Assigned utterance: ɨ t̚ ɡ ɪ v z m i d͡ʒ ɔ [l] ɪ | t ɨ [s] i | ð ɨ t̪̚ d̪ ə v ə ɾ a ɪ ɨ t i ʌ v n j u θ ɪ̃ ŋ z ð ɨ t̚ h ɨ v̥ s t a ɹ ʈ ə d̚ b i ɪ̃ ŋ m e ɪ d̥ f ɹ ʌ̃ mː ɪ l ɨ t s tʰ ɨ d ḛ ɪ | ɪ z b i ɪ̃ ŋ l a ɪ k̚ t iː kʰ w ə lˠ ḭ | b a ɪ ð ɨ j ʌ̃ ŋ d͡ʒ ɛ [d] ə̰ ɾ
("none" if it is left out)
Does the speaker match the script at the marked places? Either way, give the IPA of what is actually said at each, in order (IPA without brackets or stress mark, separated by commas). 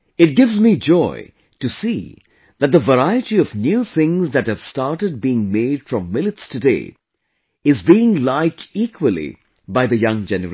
none, s, n